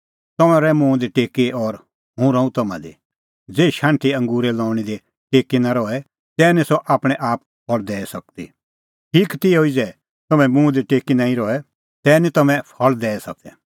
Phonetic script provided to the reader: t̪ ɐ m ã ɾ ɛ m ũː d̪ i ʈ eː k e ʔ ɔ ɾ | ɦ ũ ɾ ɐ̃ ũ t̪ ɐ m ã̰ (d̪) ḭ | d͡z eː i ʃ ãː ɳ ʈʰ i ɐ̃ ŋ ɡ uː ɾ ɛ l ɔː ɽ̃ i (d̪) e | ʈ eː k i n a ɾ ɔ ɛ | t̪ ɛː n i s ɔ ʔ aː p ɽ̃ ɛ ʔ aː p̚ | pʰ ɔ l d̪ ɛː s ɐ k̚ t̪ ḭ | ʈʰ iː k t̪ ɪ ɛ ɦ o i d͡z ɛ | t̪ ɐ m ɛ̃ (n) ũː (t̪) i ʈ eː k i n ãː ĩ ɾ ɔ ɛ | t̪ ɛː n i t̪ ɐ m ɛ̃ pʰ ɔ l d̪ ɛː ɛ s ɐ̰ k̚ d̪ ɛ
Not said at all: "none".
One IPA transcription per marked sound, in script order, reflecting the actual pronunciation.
d̪, d̪, m, d̪

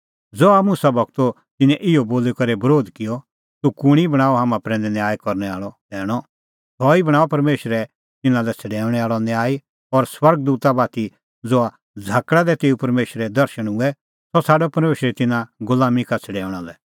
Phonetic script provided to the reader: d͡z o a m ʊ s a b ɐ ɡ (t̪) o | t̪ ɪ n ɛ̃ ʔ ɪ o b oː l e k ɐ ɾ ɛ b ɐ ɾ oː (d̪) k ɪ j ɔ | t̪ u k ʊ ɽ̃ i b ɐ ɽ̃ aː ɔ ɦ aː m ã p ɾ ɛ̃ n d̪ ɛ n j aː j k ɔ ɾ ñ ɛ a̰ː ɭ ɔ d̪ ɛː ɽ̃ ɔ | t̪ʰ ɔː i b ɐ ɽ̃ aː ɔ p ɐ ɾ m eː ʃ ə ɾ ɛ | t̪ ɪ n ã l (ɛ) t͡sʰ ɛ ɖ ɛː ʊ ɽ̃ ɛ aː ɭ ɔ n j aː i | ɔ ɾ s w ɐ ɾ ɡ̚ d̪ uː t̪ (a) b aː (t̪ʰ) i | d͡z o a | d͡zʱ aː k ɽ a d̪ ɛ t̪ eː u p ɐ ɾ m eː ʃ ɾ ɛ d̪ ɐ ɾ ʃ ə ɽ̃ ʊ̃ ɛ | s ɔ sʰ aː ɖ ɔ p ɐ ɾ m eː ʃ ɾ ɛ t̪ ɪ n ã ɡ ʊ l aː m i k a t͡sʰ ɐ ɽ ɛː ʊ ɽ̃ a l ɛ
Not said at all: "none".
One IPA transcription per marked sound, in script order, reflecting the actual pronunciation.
t̪, d̪, ɛ, a, t̪

